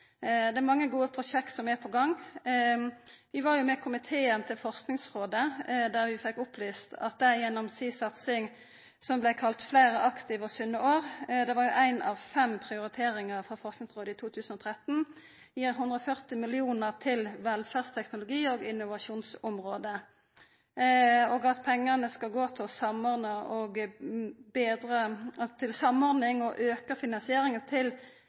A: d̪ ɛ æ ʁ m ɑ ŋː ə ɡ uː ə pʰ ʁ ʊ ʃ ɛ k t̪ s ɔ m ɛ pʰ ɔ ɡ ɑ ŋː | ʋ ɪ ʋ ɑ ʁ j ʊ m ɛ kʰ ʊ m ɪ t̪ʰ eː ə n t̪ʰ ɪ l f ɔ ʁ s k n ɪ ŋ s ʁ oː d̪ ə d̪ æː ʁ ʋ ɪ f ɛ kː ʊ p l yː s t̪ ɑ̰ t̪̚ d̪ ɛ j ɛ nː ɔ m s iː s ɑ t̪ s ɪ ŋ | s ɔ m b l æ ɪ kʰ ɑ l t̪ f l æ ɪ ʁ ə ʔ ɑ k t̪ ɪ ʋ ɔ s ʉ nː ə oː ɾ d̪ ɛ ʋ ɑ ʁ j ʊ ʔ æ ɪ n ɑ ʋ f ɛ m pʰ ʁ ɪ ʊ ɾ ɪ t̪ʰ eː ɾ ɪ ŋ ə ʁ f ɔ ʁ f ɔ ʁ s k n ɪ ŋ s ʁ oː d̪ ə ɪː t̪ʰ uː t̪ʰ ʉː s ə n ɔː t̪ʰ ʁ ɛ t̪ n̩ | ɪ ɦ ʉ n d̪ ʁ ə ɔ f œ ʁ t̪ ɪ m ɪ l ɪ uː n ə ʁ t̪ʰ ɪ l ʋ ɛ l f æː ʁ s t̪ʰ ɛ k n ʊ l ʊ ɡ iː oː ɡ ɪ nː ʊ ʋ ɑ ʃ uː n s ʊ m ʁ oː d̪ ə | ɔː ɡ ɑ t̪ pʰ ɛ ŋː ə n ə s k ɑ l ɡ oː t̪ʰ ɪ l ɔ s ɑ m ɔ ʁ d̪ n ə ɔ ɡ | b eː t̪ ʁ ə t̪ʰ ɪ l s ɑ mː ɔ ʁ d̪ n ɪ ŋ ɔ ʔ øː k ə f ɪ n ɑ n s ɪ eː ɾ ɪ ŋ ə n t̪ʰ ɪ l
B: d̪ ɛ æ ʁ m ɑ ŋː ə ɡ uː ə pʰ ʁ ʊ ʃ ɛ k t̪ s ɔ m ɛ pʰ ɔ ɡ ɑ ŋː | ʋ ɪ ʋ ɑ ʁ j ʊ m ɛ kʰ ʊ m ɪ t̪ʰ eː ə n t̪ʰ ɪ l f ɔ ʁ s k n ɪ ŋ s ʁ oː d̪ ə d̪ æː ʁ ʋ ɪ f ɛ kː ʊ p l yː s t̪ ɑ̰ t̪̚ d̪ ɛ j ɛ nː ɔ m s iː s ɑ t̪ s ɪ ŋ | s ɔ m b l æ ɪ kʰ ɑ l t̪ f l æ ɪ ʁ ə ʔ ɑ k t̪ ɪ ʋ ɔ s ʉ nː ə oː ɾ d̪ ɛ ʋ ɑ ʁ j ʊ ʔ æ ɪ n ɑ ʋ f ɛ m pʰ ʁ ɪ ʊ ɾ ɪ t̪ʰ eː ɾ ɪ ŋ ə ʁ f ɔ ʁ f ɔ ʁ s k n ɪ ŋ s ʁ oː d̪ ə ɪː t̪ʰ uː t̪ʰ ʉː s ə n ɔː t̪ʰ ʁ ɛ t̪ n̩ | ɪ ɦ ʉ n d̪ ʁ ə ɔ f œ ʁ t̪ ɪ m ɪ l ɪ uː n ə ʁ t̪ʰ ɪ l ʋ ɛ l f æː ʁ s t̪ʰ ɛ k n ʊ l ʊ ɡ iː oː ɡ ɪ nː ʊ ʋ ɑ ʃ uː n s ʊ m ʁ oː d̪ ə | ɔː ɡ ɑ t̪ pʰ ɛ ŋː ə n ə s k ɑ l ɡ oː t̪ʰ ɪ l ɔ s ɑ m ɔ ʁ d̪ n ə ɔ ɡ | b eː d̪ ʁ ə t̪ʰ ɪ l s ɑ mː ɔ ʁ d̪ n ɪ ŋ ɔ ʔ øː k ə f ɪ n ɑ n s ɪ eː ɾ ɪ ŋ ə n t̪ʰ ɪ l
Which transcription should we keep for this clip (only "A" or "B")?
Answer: B